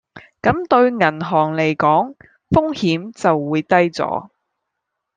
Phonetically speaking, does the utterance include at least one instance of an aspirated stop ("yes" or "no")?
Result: no